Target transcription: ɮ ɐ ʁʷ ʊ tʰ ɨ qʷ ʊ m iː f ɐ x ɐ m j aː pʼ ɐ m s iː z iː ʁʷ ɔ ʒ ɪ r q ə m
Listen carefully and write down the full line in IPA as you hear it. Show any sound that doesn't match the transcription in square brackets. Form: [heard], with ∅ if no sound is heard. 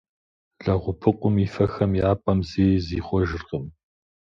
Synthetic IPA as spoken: ɮ ɐ ʁʷ ʊ [pʰ] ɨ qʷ ʊ m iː f ɐ x ɐ m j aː pʼ ɐ m [z] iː z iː [χʷ] ɔ ʒ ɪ r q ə m